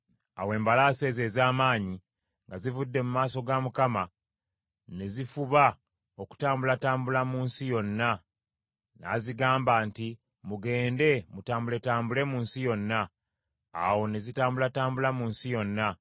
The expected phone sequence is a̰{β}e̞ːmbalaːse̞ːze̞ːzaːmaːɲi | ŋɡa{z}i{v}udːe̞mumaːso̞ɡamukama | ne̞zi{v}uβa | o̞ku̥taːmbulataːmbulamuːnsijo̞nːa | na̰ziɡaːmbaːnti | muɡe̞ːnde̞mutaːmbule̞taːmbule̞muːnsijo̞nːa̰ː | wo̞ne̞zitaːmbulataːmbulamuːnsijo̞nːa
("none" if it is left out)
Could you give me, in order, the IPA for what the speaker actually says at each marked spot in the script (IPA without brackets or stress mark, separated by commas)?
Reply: w, z, v, f